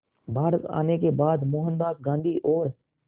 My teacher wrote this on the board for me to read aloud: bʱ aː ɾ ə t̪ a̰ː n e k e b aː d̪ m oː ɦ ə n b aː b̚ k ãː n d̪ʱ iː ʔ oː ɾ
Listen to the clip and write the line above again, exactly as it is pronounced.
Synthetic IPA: bʱ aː ɾ ə t̪ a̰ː n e k e b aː d̪ m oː ɦ ə n b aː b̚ ɡ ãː n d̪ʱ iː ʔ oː ɾ

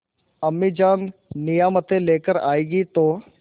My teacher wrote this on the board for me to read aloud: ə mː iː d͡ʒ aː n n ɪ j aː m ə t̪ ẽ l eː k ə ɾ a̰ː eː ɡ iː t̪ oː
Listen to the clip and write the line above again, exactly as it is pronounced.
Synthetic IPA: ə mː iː d͡ʒ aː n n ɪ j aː m ə t̪ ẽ l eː k ə ɾ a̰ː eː ɡ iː t̪ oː

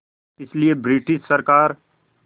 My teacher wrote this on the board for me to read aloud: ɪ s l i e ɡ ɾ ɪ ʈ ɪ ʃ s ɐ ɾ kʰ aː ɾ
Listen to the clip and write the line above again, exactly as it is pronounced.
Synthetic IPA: ɪ s l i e b ɾ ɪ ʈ ɪ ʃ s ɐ ɾ k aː ɾ

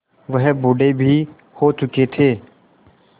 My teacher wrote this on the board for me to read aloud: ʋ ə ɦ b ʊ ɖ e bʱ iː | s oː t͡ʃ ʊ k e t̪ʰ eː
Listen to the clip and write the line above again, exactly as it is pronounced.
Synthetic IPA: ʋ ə ɦ b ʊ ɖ e bʱ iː | h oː t͡ʃ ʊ k e t̪ʰ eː

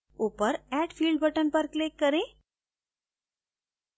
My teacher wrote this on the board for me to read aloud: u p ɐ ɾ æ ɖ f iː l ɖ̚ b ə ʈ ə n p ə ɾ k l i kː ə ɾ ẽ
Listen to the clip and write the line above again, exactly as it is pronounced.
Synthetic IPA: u p ə ɾ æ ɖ f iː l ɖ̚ b ə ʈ ə n p ə ɾ k l e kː ə ɾ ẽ

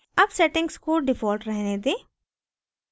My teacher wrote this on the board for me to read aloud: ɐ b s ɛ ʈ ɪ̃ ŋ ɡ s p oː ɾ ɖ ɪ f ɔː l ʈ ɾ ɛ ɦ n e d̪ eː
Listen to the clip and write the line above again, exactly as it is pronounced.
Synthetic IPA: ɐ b s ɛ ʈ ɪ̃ ŋ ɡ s k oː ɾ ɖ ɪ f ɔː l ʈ ɾ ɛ ɦ n e d̪ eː

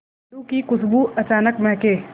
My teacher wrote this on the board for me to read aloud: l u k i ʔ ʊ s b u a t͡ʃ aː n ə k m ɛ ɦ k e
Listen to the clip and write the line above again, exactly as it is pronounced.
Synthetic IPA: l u k i k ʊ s b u ɐ t͡ʃ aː n ə k m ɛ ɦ k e

